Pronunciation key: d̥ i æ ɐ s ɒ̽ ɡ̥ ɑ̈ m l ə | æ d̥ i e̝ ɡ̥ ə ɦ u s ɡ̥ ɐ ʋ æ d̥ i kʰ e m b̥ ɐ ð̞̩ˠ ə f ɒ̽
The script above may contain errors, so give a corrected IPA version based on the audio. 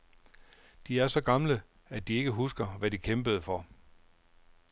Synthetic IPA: d̥ i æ ɐ s ɒ̽ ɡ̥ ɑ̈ m l ə | æ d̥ i e̝ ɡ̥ ə ɦ u s ɡ̥ ɐ ʋ æ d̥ i kʰ e m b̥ ə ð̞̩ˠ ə f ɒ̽